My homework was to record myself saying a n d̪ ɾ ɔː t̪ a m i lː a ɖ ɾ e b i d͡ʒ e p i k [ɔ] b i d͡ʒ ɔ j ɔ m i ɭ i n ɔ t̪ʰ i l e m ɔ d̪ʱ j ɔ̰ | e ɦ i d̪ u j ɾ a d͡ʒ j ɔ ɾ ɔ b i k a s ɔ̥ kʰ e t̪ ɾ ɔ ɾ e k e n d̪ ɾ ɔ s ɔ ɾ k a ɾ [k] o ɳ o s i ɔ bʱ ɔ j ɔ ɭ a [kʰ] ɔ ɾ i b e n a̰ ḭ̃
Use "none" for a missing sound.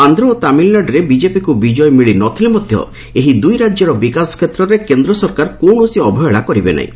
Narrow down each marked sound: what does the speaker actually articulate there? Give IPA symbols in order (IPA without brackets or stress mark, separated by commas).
u, k, k